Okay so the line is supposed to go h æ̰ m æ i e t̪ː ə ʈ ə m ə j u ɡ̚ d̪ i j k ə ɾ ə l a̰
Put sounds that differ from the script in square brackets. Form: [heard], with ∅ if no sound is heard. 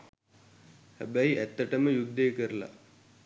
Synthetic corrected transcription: h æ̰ [b] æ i [æ] t̪ː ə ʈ ə m ə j u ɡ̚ d̪ [e] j k ə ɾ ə l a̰